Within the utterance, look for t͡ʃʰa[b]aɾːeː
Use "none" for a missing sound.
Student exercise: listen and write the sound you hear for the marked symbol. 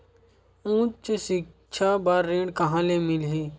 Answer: b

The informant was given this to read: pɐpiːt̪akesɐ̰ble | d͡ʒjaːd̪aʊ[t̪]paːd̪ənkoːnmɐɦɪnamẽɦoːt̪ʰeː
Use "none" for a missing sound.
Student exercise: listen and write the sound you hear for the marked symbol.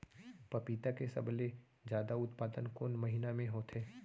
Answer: t̪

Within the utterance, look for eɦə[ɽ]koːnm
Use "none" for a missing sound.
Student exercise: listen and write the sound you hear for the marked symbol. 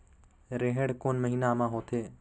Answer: ɽ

